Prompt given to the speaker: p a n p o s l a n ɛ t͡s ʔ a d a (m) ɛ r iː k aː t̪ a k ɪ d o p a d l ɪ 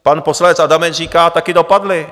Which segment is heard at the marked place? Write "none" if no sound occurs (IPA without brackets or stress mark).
m